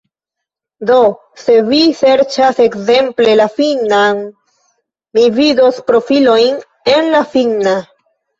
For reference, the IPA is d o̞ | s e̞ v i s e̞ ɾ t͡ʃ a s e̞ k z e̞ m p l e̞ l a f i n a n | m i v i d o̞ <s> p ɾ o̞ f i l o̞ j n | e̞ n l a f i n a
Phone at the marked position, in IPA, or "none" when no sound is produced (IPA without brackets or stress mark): s